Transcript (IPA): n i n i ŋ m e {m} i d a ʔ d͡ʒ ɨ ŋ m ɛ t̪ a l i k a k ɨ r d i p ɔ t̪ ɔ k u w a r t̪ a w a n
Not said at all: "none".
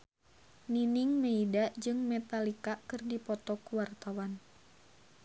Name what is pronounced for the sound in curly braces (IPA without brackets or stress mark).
none